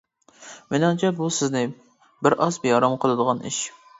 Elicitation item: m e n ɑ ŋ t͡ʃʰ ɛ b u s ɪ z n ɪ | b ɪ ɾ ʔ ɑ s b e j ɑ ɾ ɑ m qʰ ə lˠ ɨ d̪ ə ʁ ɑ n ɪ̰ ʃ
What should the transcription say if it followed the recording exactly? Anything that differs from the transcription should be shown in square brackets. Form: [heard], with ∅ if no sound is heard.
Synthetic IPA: m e n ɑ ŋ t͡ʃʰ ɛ b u s ɪ z n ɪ | b ɪ ɾ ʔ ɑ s b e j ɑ ɾ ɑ m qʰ ə lˠ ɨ d̪ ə ʁ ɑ n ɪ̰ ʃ